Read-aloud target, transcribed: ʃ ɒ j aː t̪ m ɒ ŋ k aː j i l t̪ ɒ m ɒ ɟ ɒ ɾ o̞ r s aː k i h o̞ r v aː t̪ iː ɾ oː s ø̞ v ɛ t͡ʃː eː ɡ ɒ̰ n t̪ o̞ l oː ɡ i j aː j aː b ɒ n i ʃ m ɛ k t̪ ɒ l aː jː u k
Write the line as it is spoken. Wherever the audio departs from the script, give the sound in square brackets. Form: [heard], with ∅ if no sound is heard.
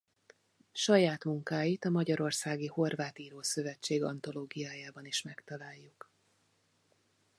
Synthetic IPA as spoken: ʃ ɒ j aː t̪ m [u] ŋ k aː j i [∅] t̪ ɒ m ɒ ɟ ɒ ɾ o̞ r s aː [ɡ] i h o̞ r v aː t̪ iː ɾ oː s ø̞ v ɛ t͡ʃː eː ɡ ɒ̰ n t̪ o̞ l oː ɡ i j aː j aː b ɒ n i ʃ m ɛ k t̪ ɒ l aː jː u k

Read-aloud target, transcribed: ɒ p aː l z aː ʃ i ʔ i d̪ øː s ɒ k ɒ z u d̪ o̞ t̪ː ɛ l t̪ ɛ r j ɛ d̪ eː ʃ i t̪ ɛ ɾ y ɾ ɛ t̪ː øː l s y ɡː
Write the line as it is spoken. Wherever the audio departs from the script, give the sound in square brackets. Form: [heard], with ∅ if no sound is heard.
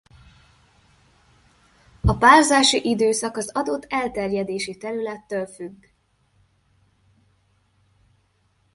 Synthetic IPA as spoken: ɒ p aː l z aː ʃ i ʔ i d̪ øː s ɒ k ɒ z [ɒ] d̪ o̞ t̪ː ɛ l t̪ ɛ r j ɛ d̪ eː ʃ i t̪ ɛ ɾ y [l] ɛ t̪ː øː l [f] y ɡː

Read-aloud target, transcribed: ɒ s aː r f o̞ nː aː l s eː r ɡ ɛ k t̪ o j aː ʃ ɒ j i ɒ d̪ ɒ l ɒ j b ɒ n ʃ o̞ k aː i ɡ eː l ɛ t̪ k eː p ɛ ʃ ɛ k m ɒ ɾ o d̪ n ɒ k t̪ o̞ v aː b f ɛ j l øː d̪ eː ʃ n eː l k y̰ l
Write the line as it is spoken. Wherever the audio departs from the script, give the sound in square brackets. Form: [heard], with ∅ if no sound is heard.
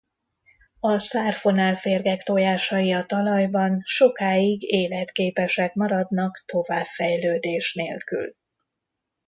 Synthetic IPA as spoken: ɒ s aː r f o̞ [n] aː l [f] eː r ɡ ɛ k t̪ o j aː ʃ ɒ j i ɒ [t̪] ɒ l ɒ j b ɒ n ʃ o̞ k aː i ɡ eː l ɛ t̪ k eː p ɛ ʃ ɛ k m ɒ ɾ [ɒ] d̪ n ɒ k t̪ o̞ v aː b f ɛ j l øː d̪ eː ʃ n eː l k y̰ l

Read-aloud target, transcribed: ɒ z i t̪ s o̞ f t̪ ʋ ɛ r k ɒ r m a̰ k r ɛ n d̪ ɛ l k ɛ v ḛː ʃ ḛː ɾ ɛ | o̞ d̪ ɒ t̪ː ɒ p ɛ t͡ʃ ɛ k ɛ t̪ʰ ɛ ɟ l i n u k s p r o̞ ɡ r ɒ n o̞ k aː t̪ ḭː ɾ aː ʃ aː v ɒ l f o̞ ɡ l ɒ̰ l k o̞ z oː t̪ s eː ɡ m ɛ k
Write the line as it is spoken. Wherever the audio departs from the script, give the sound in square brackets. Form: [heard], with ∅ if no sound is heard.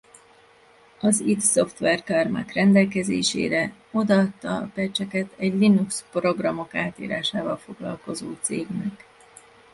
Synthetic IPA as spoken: ɒ z i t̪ s o̞ f t̪ ʋ ɛ r k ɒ r m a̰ k r ɛ n d̪ ɛ l k ɛ [z] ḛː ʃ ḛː ɾ ɛ | o̞ d̪ ɒ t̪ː ɒ p ɛ t͡ʃ ɛ k ɛ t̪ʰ ɛ ɟ l i n u k s p r o̞ ɡ r ɒ [m] o̞ k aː t̪ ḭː ɾ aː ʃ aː v ɒ l f o̞ ɡ l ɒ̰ l k o̞ z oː t̪ s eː ɡ [n] ɛ k

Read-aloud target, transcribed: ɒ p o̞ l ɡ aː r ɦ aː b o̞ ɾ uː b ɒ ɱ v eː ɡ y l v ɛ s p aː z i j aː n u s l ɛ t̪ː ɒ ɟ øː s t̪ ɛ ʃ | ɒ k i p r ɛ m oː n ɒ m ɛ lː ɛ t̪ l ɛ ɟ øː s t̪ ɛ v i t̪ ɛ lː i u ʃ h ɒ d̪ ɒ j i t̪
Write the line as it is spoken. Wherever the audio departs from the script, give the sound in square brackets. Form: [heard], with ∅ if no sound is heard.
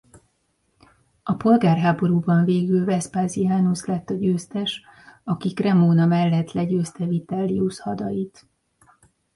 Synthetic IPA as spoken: ɒ p o̞ l ɡ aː r ɦ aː b o̞ ɾ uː b ɒ ɱ v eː ɡ y l v ɛ s p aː z i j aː n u s l ɛ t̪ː ɒ ɟ øː s t̪ ɛ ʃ | ɒ k i [k] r ɛ m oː n ɒ m ɛ lː ɛ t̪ l ɛ ɟ øː s t̪ ɛ v i t̪ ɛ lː i u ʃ h ɒ d̪ ɒ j i t̪

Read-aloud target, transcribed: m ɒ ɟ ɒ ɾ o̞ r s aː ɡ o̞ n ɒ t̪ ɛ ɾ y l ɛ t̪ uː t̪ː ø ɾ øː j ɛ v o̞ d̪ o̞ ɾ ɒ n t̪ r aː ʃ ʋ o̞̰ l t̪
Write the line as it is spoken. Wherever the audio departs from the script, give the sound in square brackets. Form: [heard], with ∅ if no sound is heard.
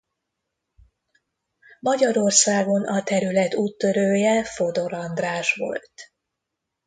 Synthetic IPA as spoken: m ɒ ɟ ɒ ɾ o̞ r s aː ɡ o̞ n ɒ t̪ ɛ ɾ y l ɛ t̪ uː t̪ː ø ɾ øː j ɛ [f] o̞ d̪ o̞ ɾ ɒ n [d̪] r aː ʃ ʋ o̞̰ l t̪

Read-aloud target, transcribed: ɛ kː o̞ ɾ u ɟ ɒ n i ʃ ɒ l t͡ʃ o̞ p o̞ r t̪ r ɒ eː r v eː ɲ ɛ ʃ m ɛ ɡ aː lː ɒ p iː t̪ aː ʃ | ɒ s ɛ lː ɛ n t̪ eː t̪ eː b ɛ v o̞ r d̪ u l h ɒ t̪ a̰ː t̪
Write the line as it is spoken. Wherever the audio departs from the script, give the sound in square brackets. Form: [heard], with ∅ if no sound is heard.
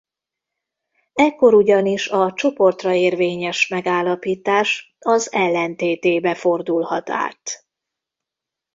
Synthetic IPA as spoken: ɛ kː o̞ ɾ u ɟ ɒ n i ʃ ɒ [∅] t͡ʃ o̞ p o̞ r t̪ r ɒ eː r v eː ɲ ɛ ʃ m ɛ ɡ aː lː ɒ p iː t̪ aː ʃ | ɒ [z] ɛ lː ɛ n t̪ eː t̪ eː b ɛ [f] o̞ r d̪ u l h ɒ t̪ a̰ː t̪

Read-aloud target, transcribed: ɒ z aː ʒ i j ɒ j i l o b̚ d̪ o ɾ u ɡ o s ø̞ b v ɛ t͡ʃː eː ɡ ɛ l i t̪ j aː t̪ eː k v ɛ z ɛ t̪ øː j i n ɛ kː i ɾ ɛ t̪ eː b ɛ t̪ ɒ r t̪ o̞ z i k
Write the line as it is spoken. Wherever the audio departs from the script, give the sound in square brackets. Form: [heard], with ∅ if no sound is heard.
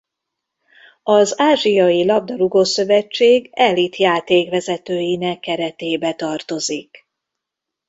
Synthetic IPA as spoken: ɒ z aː ʒ i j ɒ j i l [ɒ] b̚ d̪ [ɒ] ɾ u ɡ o s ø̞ [∅] v ɛ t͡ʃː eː ɡ ɛ l i t̪ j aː t̪ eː k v ɛ z ɛ t̪ øː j i n ɛ kː [ɛ] ɾ ɛ t̪ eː b ɛ t̪ ɒ r t̪ o̞ z i k

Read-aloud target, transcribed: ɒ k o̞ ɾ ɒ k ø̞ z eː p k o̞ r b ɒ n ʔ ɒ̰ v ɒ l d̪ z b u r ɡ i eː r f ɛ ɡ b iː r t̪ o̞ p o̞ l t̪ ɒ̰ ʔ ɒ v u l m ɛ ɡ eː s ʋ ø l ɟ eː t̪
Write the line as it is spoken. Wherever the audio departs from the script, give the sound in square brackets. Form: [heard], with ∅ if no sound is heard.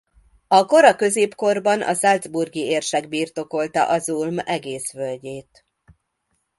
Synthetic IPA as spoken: ɒ k o̞ ɾ ɒ k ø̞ z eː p k o̞ r b ɒ n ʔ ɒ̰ [z] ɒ l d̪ z b u r ɡ i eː r [ʃ] ɛ ɡ b iː r t̪ o̞ [k] o̞ l t̪ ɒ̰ ʔ ɒ [z] u l m ɛ ɡ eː s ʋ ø l ɟ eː t̪

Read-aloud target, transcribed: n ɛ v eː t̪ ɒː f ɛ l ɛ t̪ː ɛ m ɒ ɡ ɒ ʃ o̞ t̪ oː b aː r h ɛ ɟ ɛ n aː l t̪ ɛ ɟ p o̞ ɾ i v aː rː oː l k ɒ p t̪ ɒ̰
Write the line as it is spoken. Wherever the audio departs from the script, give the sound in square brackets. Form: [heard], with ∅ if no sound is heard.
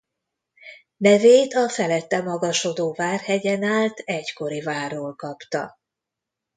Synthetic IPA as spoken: n ɛ v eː t̪ [ɒ] f ɛ l ɛ t̪ː ɛ m ɒ ɡ ɒ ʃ o̞ [d̪] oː [v] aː r h ɛ ɟ ɛ n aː l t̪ ɛ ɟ [k] o̞ ɾ i v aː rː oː l k ɒ p t̪ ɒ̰

